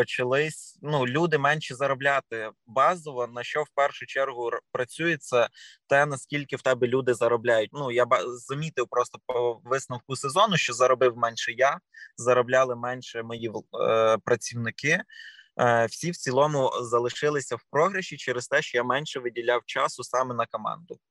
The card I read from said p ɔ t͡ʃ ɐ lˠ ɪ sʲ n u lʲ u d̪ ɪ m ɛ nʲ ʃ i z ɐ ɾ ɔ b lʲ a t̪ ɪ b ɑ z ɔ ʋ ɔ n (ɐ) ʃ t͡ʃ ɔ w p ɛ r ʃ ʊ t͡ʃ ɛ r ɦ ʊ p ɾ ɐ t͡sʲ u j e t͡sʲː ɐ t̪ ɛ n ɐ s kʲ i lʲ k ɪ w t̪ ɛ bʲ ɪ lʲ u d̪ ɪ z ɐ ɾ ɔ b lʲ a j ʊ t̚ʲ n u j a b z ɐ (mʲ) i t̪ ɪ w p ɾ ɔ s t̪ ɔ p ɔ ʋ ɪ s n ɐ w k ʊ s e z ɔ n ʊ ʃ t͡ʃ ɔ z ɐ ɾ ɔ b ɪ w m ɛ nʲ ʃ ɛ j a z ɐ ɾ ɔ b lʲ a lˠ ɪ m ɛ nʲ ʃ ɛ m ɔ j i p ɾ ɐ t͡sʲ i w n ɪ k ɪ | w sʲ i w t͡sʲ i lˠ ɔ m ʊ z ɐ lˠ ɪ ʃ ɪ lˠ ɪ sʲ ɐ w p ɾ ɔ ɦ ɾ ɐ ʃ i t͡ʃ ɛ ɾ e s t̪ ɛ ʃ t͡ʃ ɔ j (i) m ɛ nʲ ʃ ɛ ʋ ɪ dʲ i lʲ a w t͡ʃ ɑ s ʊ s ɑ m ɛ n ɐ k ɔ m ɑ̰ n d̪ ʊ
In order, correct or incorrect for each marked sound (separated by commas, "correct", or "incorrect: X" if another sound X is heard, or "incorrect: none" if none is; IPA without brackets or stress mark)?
correct, correct, incorrect: a